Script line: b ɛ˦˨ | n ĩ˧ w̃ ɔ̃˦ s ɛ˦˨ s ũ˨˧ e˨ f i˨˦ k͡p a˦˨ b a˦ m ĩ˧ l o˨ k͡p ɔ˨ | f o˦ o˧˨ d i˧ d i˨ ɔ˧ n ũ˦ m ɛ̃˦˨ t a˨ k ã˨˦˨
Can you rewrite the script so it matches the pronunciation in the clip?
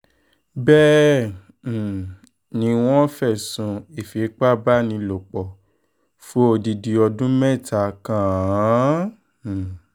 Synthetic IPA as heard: b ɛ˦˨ | n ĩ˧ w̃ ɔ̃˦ f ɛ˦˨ s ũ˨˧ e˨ f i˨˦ k͡p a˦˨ b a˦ n ĩ˧ l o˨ k͡p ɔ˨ | f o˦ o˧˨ d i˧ d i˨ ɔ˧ d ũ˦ m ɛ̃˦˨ t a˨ k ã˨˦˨